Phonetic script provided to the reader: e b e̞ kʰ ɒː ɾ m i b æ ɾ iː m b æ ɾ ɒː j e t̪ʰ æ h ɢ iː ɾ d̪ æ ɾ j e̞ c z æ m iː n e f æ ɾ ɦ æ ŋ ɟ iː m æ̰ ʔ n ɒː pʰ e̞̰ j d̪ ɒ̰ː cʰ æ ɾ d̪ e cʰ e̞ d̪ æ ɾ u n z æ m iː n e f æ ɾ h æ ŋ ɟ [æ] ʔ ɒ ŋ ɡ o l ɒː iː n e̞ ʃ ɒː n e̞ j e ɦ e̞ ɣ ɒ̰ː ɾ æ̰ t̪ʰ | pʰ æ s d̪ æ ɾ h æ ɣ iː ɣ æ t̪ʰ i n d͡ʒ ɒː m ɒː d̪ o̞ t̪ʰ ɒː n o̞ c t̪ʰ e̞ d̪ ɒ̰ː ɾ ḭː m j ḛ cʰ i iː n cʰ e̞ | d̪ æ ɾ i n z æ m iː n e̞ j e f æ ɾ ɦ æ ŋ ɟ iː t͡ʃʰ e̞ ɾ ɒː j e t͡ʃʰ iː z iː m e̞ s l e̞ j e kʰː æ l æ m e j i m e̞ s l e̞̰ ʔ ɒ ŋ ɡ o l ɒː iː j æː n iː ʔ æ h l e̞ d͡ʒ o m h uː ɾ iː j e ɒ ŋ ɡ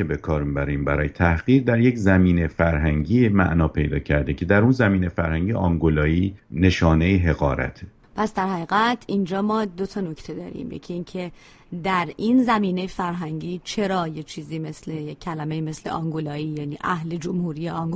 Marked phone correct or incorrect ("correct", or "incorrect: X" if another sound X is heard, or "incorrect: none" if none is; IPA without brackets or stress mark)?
incorrect: i